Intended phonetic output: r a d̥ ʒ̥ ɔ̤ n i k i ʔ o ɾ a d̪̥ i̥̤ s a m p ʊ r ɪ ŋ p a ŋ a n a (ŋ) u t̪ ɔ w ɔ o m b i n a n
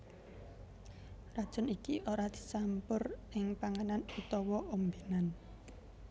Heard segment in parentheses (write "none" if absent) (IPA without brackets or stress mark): n